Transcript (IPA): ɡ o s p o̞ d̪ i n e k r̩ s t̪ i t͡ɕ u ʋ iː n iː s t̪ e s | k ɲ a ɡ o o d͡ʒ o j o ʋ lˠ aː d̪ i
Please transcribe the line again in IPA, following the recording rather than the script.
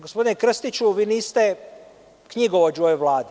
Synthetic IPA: ɡ o s p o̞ d̪ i n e k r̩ s t̪ i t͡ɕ u ʋ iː n iː s t̪ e | k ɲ i ɡ o o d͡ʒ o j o ʋ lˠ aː d̪ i